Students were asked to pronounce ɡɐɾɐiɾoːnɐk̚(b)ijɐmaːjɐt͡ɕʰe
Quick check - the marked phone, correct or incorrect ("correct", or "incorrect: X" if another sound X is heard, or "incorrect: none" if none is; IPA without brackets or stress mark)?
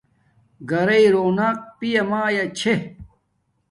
incorrect: p